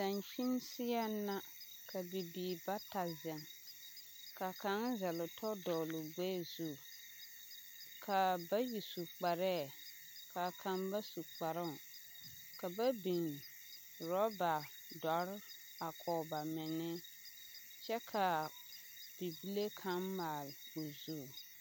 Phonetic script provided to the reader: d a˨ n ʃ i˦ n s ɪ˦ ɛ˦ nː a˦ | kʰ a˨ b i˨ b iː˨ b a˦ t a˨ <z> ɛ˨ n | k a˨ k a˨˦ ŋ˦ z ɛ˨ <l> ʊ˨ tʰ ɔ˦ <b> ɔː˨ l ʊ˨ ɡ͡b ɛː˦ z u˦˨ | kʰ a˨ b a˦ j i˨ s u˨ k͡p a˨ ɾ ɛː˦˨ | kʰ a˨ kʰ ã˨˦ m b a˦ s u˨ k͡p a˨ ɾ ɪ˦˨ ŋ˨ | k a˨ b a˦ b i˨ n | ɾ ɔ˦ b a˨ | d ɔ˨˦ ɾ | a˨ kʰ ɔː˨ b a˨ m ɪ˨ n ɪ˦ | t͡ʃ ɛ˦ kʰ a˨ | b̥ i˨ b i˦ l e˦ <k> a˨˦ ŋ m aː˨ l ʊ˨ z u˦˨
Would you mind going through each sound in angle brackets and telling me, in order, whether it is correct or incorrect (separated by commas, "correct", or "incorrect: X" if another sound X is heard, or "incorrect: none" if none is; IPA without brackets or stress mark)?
correct, correct, incorrect: d, incorrect: kʰ